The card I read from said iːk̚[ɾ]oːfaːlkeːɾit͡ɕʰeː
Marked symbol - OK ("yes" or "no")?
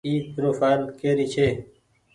yes